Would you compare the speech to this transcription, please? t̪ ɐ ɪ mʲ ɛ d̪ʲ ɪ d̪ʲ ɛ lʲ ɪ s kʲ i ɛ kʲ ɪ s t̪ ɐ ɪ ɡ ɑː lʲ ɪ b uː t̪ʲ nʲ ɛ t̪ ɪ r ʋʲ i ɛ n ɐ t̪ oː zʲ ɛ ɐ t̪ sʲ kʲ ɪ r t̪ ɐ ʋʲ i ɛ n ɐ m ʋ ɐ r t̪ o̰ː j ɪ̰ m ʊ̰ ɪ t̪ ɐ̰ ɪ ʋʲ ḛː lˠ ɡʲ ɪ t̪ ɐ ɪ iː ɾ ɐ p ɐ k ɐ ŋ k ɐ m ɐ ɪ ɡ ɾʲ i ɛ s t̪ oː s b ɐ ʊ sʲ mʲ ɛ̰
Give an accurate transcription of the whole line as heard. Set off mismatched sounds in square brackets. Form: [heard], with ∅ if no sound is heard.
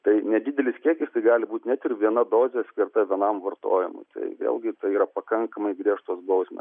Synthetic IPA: t̪ ɐ ɪ [nʲ] ɛ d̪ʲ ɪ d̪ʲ ɛ lʲ ɪ s kʲ i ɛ kʲ ɪ s t̪ ɐ ɪ ɡ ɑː lʲ ɪ b uː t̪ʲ nʲ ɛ t̪ ɪ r ʋʲ i ɛ n ɐ [d̪] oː zʲ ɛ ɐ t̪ sʲ kʲ ɪ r t̪ ɐ ʋʲ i ɛ n ɐ m ʋ ɐ r t̪ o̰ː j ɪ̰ m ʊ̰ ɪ t̪ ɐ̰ ɪ ʋʲ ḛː lˠ ɡʲ ɪ t̪ ɐ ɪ iː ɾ ɐ p ɐ k ɐ ŋ k ɐ m ɐ ɪ ɡ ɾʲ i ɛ [ʃ] t̪ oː s b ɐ ʊ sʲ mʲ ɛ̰

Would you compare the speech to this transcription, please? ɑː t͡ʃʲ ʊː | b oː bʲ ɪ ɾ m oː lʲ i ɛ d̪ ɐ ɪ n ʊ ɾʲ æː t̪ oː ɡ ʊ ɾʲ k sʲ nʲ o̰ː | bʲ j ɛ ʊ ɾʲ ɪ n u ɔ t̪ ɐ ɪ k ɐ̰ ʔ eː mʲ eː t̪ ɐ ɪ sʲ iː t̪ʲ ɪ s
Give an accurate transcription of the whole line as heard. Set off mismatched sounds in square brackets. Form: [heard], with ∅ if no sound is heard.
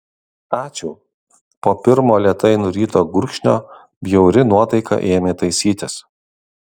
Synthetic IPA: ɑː t͡ʃʲ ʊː | [p] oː [pʲ] ɪ ɾ m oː lʲ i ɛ [t̪] ɐ ɪ n ʊ ɾʲ [iː] t̪ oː ɡ ʊ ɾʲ k [ʃʲ] nʲ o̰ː | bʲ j ɛ ʊ ɾʲ ɪ n u ɔ t̪ ɐ ɪ k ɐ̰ ʔ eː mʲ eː t̪ ɐ ɪ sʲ iː t̪ʲ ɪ s

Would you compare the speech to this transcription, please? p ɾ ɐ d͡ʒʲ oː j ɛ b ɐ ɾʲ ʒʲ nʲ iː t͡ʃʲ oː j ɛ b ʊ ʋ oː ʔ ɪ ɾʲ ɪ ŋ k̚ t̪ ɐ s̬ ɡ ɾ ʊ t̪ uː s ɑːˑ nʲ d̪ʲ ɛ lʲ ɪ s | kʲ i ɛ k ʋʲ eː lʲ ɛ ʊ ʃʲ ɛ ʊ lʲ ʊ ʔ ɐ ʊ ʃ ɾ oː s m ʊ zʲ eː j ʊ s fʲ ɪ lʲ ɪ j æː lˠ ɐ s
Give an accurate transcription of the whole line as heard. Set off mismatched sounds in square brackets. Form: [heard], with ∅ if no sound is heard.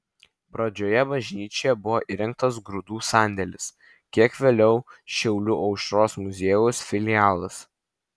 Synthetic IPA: p ɾ ɐ d͡ʒʲ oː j ɛ b ɐ [∅] ʒʲ nʲ iː t͡ʃʲ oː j ɛ b ʊ ʋ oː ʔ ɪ ɾʲ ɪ ŋ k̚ t̪ ɐ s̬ ɡ ɾ ʊ [d̪] uː s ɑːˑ nʲ d̪ʲ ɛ lʲ ɪ s | kʲ i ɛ k ʋʲ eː lʲ ɛ ʊ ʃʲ ɛ ʊ lʲ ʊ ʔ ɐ ʊ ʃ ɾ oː s m ʊ zʲ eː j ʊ s fʲ ɪ lʲ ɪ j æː lˠ ɐ s

